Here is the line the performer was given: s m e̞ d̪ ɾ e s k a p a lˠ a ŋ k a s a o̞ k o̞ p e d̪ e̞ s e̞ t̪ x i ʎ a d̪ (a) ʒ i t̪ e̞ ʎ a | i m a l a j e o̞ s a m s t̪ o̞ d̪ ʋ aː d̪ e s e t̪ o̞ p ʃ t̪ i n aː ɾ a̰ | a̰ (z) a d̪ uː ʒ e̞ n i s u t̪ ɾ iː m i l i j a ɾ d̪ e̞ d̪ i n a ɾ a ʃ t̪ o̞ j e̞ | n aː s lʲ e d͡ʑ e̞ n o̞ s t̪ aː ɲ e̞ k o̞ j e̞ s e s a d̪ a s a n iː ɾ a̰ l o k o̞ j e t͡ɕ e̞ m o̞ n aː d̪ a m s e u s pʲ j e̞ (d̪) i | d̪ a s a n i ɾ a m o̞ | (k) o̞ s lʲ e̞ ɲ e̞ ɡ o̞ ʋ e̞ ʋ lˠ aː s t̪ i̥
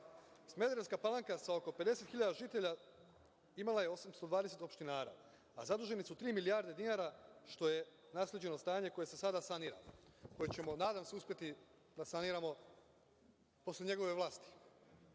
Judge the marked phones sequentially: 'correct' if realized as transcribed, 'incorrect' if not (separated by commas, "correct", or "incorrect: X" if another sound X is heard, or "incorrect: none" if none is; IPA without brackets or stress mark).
correct, correct, incorrect: t̪, incorrect: p